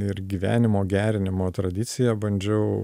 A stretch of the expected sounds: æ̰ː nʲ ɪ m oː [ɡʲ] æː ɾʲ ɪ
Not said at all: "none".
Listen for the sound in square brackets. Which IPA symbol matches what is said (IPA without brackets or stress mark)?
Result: ɡʲ